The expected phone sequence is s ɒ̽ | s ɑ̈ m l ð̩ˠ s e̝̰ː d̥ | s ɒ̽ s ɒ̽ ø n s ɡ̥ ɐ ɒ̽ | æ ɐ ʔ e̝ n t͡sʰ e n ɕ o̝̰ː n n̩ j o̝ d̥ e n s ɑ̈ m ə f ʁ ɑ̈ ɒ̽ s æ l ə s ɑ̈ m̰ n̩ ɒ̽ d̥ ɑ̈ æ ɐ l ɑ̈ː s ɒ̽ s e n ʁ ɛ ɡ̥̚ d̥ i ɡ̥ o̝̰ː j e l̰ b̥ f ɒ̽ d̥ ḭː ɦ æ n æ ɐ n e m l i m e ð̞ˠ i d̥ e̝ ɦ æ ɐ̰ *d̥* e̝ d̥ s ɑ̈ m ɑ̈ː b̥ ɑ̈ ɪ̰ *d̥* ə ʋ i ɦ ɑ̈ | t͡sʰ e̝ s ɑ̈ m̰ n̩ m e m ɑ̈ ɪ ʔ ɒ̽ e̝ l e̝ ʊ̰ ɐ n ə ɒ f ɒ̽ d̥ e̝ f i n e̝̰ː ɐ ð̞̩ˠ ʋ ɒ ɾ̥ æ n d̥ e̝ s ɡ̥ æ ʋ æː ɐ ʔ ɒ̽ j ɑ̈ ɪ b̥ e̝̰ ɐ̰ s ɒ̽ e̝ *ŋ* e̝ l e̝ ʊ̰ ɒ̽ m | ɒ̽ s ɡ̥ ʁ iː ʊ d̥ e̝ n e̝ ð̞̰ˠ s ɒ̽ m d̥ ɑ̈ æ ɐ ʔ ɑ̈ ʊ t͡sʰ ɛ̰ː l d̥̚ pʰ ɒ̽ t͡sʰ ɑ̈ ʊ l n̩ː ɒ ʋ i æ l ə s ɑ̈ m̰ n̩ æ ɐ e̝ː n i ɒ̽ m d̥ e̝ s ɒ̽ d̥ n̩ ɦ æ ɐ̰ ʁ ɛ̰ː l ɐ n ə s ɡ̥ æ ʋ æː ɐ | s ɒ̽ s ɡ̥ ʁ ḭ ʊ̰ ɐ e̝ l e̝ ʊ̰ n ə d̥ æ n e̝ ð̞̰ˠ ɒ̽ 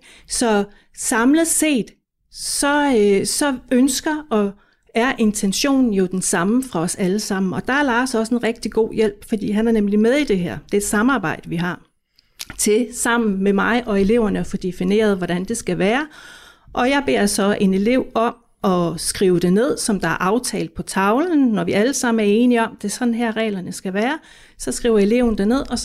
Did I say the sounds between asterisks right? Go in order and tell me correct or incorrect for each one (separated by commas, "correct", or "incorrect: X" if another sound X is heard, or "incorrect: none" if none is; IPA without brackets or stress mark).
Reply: correct, correct, incorrect: n